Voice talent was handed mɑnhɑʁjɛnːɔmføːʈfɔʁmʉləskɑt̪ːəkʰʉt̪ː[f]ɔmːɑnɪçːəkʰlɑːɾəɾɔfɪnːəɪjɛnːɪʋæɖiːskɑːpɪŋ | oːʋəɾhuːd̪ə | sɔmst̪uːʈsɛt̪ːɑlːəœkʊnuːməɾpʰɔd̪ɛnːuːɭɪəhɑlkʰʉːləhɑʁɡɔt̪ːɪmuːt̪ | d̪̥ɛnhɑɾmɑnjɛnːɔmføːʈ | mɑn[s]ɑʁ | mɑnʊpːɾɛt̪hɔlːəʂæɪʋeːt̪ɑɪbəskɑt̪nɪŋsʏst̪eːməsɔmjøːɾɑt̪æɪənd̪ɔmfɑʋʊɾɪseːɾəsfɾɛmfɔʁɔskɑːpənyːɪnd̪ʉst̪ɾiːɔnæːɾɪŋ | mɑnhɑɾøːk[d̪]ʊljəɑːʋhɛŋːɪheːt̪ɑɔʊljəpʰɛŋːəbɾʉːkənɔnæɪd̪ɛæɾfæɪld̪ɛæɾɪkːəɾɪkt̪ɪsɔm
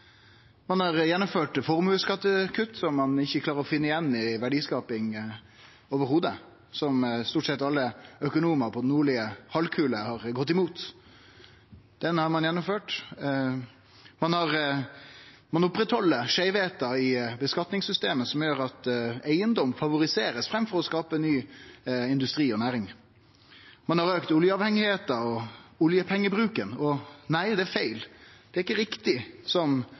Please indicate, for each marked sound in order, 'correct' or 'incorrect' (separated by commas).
incorrect, incorrect, incorrect